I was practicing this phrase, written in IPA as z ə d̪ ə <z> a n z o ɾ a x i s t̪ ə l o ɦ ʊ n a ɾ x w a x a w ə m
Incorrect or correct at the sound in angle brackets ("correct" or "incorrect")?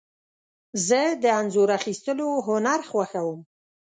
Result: incorrect